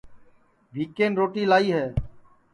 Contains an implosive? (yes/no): no